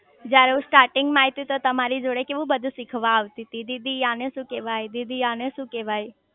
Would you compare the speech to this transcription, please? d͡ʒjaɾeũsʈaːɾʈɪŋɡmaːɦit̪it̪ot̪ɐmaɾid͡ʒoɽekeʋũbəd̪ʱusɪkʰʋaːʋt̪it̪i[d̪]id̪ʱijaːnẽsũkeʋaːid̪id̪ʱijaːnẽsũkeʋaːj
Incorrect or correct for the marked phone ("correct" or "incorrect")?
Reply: correct